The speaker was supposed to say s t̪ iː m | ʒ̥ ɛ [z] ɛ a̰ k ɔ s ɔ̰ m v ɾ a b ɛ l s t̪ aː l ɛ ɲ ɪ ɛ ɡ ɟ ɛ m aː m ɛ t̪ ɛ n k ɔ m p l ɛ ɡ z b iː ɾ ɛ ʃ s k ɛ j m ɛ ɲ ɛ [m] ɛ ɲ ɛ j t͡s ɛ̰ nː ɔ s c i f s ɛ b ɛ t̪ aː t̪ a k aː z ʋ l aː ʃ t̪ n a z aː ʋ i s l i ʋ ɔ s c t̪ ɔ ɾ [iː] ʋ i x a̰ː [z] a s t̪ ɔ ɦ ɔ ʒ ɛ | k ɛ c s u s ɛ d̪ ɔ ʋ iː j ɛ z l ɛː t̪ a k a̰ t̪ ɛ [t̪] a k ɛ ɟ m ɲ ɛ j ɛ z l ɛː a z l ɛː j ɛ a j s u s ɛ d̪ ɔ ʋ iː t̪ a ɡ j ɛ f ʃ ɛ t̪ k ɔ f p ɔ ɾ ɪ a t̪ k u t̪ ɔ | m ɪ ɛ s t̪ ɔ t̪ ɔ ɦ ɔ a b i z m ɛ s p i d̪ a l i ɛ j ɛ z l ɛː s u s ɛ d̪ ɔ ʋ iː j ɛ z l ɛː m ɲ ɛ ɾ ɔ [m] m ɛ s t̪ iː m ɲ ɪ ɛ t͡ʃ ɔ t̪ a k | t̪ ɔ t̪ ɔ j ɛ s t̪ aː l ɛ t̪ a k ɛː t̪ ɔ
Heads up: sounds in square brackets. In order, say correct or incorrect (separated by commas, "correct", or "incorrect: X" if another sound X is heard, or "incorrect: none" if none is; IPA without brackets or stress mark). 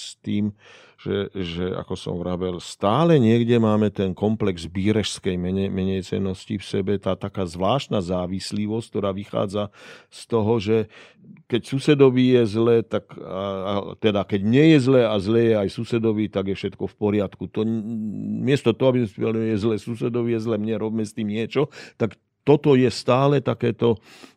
incorrect: ʒ, correct, incorrect: aː, incorrect: d͡z, incorrect: d̪, incorrect: b